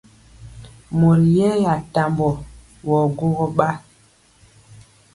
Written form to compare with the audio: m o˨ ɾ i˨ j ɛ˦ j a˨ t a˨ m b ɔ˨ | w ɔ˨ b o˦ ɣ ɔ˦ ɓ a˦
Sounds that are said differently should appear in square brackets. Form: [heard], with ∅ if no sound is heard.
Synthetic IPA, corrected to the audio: m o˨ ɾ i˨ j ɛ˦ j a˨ t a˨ m b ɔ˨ | w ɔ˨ [ɡ] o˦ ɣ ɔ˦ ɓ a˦